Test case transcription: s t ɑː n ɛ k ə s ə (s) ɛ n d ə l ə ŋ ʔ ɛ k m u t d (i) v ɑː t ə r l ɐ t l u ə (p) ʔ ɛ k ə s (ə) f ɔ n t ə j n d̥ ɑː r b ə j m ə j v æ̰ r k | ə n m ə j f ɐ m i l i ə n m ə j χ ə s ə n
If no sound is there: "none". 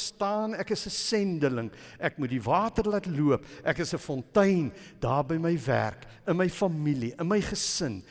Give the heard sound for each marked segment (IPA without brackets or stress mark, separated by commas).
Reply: s, i, p, ə